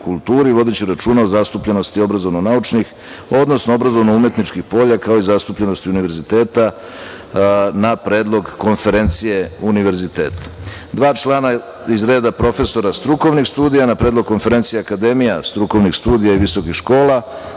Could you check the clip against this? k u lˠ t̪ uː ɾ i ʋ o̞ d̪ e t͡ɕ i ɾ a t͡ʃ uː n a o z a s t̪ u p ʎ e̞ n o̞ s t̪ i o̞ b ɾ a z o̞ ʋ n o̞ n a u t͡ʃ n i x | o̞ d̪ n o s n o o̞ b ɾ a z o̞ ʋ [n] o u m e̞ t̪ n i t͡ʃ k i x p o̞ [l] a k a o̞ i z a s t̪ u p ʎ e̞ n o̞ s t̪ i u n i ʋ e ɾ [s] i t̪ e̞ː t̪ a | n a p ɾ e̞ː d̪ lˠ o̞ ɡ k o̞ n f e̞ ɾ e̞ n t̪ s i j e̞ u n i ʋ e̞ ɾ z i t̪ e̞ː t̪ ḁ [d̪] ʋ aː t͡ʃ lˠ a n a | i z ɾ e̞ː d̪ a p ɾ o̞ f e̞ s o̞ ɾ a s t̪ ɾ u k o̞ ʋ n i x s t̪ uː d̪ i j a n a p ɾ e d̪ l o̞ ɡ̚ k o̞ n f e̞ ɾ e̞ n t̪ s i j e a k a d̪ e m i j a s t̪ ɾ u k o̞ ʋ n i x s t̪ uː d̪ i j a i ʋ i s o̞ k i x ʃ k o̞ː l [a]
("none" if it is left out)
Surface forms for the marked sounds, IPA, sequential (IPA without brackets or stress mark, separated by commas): n, ʎ, z, d̪, a